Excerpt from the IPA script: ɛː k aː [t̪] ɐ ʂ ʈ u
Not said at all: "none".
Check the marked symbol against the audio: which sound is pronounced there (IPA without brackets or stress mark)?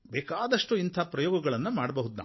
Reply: d̪